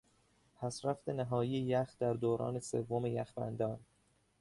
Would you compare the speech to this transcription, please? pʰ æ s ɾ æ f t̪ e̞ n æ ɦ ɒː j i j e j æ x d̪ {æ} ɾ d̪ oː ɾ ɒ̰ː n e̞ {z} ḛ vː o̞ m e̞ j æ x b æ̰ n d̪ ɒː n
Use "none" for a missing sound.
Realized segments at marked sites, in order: æ, s

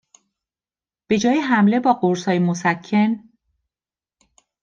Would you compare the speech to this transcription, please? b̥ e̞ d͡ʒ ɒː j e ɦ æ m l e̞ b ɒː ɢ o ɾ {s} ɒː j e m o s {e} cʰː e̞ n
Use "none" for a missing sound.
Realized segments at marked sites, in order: s, æ

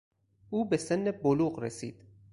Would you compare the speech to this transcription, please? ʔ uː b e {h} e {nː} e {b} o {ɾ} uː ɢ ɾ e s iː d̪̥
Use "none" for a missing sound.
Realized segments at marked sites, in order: s, nː, b, l

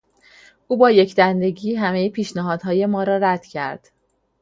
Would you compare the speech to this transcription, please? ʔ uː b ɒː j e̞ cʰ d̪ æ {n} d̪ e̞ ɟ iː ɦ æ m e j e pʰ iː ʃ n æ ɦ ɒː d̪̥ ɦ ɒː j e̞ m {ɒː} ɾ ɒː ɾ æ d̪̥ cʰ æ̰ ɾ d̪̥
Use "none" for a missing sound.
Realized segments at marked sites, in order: n, ɒː

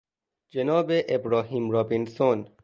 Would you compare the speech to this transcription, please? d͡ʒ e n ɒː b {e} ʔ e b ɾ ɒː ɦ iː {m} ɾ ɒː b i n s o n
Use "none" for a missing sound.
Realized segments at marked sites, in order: e, m

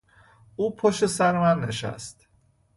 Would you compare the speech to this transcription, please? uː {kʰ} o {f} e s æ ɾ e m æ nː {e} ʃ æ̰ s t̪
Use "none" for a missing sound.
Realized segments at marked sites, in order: pʰ, ʃ, e

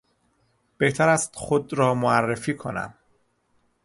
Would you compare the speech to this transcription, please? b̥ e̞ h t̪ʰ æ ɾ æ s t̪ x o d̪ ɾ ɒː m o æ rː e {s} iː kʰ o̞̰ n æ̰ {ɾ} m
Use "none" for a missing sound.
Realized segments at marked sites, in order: f, none

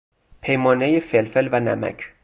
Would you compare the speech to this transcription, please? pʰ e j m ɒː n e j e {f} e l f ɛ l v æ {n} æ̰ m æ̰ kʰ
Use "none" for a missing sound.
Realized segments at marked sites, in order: f, n

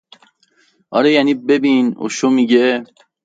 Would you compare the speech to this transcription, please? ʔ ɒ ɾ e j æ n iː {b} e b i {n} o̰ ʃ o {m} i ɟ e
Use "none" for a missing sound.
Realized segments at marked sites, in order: b, n, m

